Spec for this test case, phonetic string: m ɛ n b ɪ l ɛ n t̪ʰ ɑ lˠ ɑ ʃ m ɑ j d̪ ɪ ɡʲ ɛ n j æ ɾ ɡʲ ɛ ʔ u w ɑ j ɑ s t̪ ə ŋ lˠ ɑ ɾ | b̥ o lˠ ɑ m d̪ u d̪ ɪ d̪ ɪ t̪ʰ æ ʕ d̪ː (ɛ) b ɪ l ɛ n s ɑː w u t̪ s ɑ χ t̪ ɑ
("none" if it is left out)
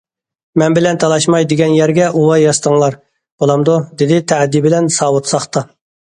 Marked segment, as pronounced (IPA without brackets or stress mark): i